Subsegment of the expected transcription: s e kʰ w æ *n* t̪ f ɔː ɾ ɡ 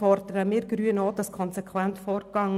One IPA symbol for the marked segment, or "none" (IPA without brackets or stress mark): n